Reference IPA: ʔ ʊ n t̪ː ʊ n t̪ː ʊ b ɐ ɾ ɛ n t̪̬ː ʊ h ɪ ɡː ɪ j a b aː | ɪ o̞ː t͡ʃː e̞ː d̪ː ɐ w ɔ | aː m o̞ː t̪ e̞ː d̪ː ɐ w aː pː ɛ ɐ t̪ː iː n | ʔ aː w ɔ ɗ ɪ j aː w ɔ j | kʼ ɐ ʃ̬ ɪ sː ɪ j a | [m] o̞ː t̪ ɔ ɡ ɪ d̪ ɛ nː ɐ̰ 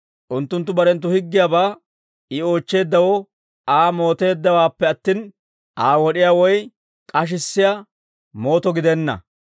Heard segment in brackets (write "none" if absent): m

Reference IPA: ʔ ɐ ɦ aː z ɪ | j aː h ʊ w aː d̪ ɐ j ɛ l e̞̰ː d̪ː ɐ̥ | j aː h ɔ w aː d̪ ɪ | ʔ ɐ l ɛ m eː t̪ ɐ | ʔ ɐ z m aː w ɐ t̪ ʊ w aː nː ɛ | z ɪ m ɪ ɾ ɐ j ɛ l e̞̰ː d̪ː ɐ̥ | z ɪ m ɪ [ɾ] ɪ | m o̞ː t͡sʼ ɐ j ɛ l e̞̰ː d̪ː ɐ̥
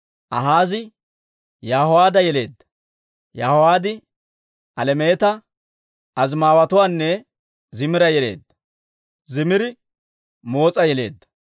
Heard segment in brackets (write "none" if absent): ɾ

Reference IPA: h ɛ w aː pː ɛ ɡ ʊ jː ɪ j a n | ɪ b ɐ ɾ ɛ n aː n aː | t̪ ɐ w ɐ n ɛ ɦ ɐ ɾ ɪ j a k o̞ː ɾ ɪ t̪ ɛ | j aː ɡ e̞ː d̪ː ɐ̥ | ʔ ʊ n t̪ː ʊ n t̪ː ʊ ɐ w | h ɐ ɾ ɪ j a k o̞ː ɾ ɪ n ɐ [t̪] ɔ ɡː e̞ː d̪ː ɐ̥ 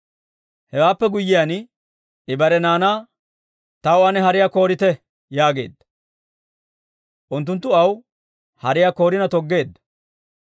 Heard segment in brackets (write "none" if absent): t̪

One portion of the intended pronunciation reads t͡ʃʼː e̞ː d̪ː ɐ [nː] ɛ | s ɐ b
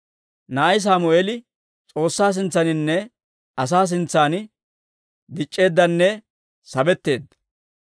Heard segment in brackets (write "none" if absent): nː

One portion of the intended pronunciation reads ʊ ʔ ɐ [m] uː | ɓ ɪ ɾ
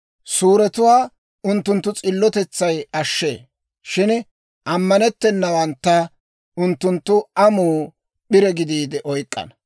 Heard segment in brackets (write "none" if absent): m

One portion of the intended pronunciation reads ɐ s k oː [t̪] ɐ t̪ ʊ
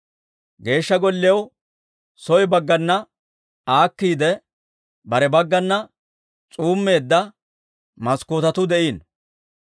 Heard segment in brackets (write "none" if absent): t̪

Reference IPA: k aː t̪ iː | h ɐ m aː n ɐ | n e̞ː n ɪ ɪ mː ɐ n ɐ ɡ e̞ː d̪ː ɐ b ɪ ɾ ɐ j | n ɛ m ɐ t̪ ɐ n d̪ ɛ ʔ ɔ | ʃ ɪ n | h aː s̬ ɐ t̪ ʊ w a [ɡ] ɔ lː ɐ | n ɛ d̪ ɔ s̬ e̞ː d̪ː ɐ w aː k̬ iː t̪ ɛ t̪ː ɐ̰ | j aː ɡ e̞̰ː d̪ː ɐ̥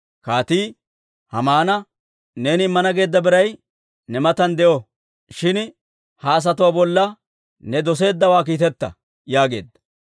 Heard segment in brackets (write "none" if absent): b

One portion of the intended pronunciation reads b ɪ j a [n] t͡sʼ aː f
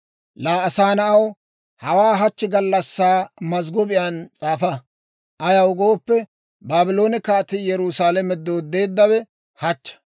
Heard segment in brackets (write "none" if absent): n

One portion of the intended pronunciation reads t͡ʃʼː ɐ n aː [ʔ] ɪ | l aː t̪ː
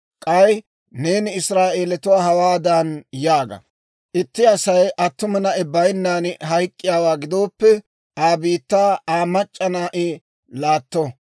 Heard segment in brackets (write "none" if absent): ʔ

